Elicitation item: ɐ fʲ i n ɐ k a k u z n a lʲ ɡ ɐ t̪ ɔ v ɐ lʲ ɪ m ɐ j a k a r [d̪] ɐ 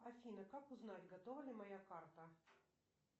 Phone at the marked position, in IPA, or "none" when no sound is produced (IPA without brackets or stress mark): t̪